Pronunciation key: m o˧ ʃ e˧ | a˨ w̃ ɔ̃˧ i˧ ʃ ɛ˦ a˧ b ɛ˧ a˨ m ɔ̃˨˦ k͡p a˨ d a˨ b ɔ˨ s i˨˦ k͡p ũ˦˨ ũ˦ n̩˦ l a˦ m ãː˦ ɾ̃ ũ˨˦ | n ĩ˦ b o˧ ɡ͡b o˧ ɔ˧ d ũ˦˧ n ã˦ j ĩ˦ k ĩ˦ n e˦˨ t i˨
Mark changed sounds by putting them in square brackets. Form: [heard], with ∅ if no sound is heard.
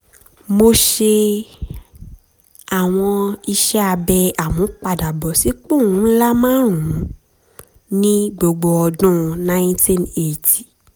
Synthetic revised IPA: m o˧ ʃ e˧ | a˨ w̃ ɔ̃˧ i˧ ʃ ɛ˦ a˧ b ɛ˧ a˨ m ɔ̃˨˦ k͡p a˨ d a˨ b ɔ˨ s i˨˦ k͡p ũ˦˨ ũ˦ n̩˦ l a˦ m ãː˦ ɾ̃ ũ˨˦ | n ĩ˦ [ɡ͡b] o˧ ɡ͡b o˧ ɔ˧ d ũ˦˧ n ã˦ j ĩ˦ [t] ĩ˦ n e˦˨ t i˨